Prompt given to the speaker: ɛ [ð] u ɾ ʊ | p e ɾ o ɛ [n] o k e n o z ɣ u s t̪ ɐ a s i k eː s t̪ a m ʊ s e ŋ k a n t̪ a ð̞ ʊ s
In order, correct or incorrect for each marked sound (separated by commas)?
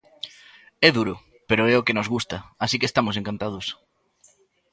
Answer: correct, incorrect